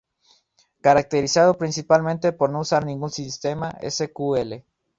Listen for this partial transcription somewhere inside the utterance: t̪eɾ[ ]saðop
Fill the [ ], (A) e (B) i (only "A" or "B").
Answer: B